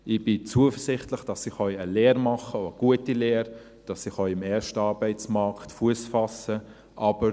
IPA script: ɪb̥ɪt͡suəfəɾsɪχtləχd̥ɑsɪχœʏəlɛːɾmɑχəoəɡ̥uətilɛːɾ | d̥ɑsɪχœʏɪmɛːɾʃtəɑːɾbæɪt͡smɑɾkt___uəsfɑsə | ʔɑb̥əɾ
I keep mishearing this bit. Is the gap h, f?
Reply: f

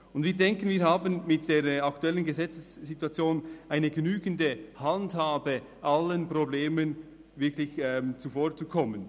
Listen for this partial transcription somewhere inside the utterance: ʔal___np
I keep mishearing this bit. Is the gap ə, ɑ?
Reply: ə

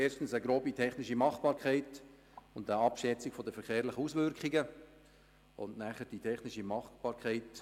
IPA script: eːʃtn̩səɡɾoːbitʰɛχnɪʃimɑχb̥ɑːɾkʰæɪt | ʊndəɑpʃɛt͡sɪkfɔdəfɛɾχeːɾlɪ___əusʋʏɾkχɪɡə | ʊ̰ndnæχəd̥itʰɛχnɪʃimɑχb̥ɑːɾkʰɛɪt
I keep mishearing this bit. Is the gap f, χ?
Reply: χ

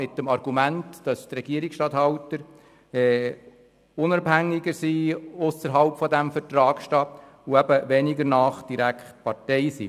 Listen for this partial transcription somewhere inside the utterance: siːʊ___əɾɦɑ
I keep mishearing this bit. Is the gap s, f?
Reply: s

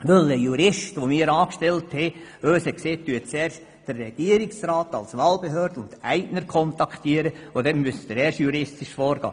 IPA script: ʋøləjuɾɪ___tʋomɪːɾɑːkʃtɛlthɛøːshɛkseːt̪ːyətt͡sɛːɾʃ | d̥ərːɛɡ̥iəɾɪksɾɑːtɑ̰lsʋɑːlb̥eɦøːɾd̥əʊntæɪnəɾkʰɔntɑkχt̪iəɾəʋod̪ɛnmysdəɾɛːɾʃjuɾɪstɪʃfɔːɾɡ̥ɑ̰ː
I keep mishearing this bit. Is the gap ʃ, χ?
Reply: ʃ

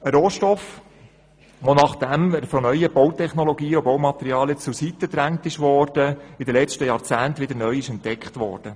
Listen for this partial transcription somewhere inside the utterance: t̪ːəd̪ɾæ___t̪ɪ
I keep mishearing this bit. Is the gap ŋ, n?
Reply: ŋ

